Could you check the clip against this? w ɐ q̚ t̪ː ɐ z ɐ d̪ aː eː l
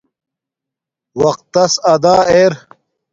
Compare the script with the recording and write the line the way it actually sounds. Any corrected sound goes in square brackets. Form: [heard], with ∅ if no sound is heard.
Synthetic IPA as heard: w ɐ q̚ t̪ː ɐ [s] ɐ d̪ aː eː [ɾ]

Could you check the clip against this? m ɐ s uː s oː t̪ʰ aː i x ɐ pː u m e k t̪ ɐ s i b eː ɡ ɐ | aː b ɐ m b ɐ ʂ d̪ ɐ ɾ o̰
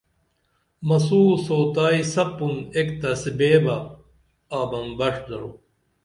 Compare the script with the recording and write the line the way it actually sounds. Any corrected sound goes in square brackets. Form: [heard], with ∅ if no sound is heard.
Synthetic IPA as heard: m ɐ s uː s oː [t̪] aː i [s] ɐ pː u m e k t̪ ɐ s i b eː [b] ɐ | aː b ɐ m b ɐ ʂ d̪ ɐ ɾ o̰

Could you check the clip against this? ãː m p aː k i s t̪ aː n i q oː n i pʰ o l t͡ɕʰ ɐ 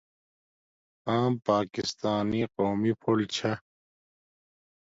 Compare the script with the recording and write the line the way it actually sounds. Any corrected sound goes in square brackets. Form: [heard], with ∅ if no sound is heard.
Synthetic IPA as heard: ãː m p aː k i s t̪ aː n i q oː [m] i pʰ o l t͡ɕʰ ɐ

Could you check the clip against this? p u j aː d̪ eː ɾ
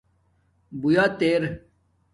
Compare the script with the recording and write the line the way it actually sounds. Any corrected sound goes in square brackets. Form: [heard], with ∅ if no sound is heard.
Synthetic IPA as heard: [b] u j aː [t̪] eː ɾ

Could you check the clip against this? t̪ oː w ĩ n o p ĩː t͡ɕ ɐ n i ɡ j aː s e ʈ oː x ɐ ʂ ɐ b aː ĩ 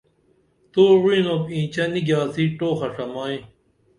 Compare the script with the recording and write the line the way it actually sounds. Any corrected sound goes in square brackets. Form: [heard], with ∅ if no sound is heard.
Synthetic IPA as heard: t̪ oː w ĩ n o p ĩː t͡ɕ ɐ n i ɡ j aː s [i] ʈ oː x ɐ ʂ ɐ [m] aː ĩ

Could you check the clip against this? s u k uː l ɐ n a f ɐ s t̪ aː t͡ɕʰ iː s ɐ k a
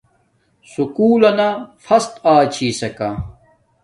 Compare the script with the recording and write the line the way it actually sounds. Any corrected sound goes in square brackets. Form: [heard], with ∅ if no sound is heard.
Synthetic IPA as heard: s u k uː l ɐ n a f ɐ s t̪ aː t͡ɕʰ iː s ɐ k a

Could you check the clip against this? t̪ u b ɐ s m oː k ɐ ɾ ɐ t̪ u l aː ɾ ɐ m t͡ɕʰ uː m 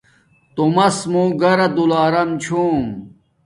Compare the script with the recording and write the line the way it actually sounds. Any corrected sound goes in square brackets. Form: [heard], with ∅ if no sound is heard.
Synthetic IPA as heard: t̪ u [m] ɐ s m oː [ɡ] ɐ ɾ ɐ [d̪] u l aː ɾ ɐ m t͡ɕʰ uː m

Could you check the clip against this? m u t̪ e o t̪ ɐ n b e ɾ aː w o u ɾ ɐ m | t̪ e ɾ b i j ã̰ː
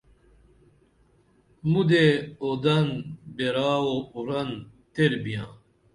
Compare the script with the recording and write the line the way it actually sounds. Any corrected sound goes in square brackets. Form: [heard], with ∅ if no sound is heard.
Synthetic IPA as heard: m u [d̪] e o [d̪] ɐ n b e ɾ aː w o u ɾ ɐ [n] | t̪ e ɾ b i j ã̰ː

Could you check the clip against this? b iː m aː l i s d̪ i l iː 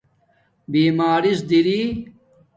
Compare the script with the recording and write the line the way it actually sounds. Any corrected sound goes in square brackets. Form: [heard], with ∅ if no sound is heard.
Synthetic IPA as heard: b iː m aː [ɾ] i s d̪ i [ɾ] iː

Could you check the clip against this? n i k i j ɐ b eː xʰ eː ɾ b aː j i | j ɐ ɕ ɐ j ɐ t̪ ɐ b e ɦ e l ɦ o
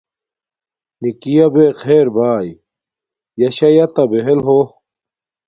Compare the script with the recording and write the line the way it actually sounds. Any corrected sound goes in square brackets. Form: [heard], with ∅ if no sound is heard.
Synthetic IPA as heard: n i k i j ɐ b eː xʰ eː ɾ b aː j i | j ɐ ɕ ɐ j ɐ t̪ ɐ b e ɦ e l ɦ o

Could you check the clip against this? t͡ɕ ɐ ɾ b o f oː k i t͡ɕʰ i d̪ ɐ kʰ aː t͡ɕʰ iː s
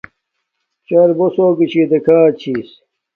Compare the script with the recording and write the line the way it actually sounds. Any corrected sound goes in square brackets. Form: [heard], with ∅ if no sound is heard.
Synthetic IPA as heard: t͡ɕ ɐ ɾ b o [s] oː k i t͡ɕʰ i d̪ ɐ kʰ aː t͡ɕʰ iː s

